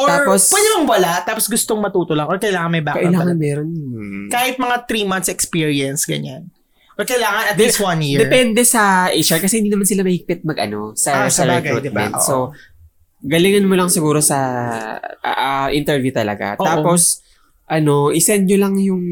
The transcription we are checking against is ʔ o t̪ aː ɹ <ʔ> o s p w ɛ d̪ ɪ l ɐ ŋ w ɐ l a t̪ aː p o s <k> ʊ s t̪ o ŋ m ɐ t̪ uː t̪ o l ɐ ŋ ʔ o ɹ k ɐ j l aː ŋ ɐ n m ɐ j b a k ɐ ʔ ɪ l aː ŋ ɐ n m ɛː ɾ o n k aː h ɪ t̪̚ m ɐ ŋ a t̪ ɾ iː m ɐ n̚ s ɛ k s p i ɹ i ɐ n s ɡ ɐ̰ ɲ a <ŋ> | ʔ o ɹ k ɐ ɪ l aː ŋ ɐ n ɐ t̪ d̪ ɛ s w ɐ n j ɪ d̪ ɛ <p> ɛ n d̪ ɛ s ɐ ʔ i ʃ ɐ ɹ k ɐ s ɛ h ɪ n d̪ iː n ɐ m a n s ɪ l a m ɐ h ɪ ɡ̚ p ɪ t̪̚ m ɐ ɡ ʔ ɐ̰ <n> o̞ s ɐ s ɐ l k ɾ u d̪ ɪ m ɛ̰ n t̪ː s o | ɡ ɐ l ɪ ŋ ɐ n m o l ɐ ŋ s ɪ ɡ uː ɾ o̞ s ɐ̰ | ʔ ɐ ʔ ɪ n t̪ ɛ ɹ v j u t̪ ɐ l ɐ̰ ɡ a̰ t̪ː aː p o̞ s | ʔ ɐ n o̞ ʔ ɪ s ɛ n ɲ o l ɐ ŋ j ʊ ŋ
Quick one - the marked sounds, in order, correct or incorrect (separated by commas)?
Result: incorrect, incorrect, incorrect, correct, correct